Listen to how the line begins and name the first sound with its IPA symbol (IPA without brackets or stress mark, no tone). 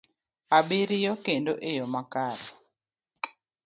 a